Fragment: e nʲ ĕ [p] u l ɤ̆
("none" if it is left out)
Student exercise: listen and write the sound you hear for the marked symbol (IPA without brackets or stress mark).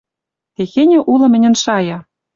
ʔ